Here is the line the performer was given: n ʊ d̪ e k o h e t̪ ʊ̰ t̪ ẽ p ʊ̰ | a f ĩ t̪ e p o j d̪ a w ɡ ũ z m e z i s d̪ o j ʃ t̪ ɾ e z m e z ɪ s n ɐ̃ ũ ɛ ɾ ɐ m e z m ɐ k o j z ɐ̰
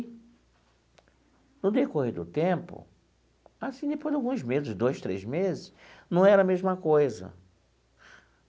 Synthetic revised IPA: n ʊ d̪ e k o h e d̪ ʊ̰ t̪ ẽ p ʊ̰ | a s ĩ d̪ e p o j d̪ a w ɡ ũ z m e z ɪ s d̪ o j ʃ t̪ ɾ e z m e z ɪ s n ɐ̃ w̃ ɛ ɾ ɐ m e z m ɐ k o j z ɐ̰

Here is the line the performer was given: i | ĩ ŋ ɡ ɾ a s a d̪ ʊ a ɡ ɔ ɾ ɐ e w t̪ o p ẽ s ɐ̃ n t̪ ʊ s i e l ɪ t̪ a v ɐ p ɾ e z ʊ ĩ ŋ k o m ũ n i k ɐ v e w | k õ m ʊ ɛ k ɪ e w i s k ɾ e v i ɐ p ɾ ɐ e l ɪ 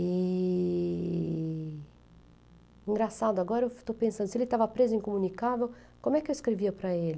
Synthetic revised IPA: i | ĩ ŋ ɡ ɾ a s a d̪ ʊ a ɡ ɔ ɾ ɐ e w t̪ o p ẽ s ɐ̃ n d̪ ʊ s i e l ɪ t̪ a v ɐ p ɾ e z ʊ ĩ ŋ k o m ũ n i k a v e w | k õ m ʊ ɛ k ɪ e w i s k ɾ e v i ɐ p ɾ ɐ e l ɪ

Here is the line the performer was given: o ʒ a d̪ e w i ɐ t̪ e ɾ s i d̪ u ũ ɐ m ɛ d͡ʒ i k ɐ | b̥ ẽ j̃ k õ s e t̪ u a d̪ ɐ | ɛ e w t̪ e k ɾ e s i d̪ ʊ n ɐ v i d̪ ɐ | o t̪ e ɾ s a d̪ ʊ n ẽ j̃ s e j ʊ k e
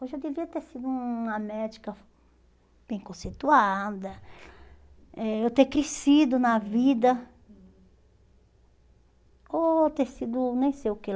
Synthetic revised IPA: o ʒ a d̪ e v i ɐ t̪ e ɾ s i d̪ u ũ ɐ m ɛ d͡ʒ i k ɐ | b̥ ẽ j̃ k õ s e t̪ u a d̪ ɐ | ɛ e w t̪ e k ɾ e s i d̪ ʊ n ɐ v i d̪ ɐ | o t̪ e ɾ s i d̪ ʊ n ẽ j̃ s e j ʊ k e

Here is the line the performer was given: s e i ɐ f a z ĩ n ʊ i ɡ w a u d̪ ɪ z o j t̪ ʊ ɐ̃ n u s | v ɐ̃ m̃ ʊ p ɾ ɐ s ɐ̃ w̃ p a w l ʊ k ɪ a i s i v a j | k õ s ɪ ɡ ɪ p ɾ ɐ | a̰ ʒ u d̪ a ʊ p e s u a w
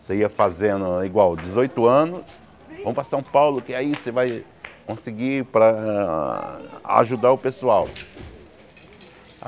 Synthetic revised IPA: s e i ɐ f a z ẽ n ʊ i ɡ w a w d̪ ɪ z o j t̪ ʊ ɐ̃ n ʊ s | v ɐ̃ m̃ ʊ p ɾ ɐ s ɐ̃ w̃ p a w l ʊ k ɪ a i s e v a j | k õ s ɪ ɡ i p ɾ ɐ | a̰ ʒ u d̪ a ʊ p e s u a w

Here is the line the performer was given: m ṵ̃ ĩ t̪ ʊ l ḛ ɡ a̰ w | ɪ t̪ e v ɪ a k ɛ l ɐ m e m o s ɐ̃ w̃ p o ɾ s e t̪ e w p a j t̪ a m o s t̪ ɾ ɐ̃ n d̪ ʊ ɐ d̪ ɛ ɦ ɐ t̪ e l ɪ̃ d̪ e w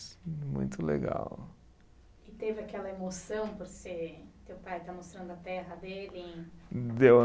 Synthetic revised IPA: m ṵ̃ j̃ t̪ ʊ l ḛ ɡ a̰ w | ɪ t̪ e v ɪ a k ɛ l ɐ e m o s ɐ̃ w̃ p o ɾ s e t̪ e w p a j t̪ a m o s t̪ ɾ ɐ̃ n d̪ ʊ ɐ t̪ ɛ ɦ ɐ d̪ e l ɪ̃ d̪ e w

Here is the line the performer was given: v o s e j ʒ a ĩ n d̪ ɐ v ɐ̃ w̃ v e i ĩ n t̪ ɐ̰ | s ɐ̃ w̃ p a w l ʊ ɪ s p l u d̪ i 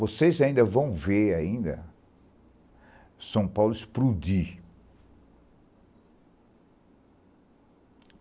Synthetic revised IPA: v o s e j z a ĩ n d̪ ɐ v ɐ̃ w̃ v e a ĩ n d̪ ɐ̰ | s ɐ̃ w̃ p a w l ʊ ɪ s p ɾ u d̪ i

